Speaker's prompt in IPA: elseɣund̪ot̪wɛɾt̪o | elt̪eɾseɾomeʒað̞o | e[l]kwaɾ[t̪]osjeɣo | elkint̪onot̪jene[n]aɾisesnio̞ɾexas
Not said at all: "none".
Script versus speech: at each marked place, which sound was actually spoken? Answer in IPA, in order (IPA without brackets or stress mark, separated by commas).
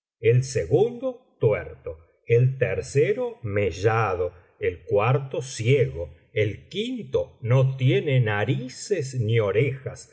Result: l, t̪, n